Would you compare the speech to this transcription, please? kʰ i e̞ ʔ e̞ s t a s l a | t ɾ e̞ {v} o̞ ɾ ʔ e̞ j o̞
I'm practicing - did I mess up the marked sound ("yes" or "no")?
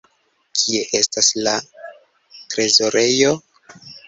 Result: yes